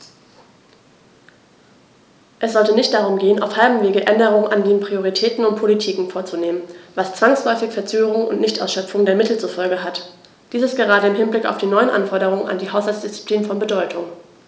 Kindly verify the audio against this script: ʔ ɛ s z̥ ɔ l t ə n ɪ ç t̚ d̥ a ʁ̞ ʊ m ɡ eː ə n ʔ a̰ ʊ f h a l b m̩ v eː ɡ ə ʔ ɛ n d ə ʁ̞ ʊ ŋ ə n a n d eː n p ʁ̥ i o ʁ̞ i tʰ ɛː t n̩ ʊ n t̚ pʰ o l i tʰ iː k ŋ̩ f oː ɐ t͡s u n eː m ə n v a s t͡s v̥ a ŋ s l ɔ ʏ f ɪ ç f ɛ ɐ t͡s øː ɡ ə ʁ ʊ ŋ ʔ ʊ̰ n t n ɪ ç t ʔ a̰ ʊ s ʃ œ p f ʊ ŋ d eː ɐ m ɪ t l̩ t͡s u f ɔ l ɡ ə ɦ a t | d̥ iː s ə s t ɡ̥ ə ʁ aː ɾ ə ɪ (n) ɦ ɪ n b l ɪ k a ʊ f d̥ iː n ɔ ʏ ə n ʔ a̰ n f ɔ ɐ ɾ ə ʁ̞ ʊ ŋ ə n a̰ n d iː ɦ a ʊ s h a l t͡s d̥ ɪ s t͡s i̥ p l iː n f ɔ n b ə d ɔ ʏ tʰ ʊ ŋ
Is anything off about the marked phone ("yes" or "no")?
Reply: yes